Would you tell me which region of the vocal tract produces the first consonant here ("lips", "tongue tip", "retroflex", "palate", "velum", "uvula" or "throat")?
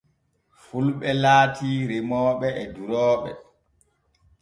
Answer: lips